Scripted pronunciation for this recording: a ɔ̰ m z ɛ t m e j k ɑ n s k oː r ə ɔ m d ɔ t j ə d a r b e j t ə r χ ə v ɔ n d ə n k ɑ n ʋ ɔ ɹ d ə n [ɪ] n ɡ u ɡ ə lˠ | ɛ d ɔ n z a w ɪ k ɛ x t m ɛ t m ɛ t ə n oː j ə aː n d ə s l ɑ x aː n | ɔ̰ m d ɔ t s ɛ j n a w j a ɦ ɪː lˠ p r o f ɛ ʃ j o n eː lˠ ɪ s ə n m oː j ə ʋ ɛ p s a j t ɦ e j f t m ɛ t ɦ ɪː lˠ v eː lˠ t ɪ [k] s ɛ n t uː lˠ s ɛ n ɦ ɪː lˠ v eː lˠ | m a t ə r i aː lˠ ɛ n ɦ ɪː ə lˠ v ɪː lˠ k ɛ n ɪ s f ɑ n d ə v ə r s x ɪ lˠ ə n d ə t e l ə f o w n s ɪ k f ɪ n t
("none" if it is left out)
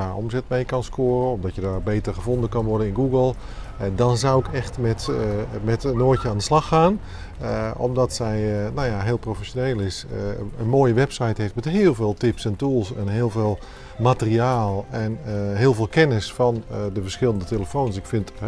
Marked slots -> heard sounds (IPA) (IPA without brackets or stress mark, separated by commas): ɪ, p